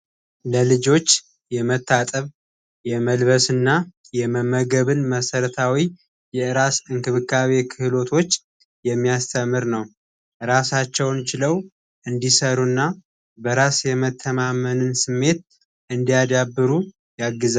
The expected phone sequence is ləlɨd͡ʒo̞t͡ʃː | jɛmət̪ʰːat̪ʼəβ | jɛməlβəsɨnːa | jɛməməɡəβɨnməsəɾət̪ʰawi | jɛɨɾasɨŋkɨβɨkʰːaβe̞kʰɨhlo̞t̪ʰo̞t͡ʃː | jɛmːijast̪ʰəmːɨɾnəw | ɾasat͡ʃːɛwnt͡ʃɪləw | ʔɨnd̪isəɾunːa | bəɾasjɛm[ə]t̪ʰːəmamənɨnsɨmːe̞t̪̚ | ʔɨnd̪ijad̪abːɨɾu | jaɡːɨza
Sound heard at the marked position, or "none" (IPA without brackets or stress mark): ə